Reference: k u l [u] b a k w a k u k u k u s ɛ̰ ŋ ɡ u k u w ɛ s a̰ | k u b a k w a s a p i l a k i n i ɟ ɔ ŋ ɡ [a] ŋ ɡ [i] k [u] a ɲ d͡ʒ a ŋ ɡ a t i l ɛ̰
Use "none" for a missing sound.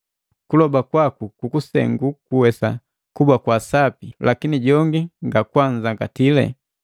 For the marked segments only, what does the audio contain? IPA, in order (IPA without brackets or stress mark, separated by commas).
ɔ, i, a, w